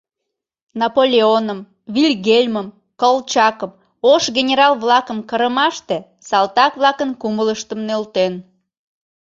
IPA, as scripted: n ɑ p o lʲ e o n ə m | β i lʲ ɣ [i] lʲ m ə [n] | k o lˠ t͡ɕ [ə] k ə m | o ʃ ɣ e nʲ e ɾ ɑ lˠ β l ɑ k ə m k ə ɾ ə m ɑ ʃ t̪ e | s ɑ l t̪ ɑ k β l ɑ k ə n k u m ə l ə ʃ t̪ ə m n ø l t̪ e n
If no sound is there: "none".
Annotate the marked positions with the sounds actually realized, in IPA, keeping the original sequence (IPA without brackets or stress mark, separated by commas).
e, m, ɑ